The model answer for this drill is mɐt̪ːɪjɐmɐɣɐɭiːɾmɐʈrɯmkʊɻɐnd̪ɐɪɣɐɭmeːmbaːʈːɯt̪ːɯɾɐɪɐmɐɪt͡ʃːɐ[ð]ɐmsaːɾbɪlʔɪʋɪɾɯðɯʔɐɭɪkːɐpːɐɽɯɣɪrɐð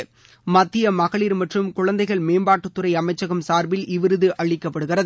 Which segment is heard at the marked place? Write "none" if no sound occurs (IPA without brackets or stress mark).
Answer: ɣ